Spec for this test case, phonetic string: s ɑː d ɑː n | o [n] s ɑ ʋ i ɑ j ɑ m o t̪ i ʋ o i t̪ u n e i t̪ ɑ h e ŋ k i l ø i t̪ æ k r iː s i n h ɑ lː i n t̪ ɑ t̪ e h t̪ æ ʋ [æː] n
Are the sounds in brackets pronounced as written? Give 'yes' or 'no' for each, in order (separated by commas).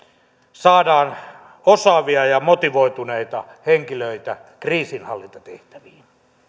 no, no